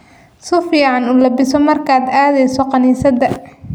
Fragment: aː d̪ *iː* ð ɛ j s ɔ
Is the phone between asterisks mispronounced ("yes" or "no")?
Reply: yes